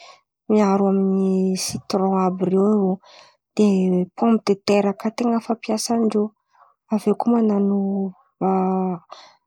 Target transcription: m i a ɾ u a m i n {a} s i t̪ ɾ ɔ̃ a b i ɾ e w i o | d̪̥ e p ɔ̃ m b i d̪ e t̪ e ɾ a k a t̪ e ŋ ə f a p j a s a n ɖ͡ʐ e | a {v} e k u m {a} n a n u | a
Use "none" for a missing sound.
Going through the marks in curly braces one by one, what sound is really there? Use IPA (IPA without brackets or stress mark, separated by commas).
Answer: i, v, a